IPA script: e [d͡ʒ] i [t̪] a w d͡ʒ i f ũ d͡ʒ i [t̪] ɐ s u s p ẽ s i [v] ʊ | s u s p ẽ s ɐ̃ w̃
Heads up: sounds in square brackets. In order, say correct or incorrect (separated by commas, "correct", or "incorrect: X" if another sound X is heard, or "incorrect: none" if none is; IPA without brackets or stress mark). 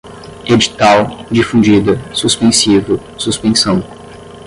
correct, correct, incorrect: d̪, correct